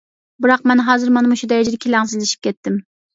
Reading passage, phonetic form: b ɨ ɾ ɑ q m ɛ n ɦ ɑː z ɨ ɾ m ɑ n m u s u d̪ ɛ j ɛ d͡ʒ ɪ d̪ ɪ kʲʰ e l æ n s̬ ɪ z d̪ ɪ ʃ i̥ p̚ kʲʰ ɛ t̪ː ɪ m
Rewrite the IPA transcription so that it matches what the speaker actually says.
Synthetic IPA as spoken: b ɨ ɾ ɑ q m ɛ n ɦ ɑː z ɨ ɾ m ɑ n m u ʃ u d̪ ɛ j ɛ d͡ʒ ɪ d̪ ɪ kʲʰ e l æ ŋ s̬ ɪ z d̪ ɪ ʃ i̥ p̚ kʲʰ ɛ t̪ː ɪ m